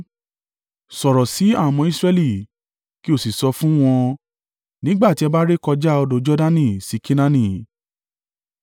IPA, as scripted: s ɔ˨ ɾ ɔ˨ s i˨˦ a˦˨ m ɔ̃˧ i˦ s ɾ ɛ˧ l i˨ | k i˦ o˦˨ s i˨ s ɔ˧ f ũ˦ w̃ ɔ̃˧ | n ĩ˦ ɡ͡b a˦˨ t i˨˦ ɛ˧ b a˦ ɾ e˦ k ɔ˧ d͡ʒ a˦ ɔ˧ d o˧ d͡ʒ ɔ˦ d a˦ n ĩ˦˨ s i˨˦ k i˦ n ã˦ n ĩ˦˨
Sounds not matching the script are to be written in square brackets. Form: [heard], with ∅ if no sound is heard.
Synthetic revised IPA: s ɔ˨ ɾ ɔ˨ s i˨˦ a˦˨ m ɔ̃˧ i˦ s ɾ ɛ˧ l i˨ | k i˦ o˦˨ s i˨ s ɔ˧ f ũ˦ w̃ ɔ̃˧ | n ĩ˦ ɡ͡b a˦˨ t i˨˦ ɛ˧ b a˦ ɾ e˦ k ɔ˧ d͡ʒ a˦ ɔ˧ d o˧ d͡ʒ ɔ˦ d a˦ n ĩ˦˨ s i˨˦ k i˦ n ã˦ n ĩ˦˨